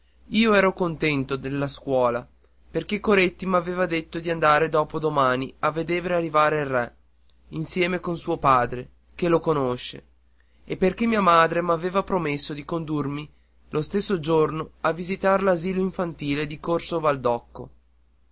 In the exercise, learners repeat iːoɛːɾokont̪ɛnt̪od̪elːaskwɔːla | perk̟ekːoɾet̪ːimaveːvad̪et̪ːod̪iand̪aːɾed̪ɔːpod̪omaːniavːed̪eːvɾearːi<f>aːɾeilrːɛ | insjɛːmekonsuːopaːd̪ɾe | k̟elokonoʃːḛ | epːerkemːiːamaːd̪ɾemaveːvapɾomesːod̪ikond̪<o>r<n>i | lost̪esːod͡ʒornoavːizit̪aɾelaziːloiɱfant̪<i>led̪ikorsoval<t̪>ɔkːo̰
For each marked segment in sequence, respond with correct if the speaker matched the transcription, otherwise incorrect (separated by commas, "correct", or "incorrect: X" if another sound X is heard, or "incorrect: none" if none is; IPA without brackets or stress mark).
incorrect: v, incorrect: u, incorrect: m, incorrect: iː, incorrect: d̪